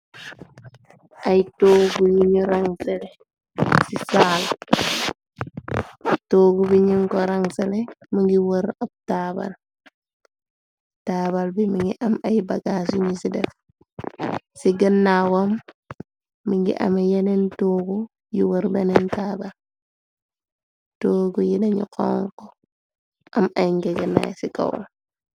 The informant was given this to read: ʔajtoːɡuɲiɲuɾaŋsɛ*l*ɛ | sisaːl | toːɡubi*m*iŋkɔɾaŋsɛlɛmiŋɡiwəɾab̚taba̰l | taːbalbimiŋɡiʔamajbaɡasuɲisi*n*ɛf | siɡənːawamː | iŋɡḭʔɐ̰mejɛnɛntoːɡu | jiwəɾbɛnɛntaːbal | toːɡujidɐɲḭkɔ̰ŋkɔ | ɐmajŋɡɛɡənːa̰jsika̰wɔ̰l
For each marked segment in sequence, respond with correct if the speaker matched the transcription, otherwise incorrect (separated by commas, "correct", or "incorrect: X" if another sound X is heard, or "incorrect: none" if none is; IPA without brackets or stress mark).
correct, incorrect: ɲ, incorrect: d